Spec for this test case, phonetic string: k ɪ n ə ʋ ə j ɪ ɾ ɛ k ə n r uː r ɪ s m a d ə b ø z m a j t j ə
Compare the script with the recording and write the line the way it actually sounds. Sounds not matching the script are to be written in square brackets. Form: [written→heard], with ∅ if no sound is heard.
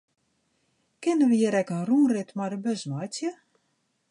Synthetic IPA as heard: k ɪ n ə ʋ ə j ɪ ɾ ɛ k ə n r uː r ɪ [s→t] m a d ə b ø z m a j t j ə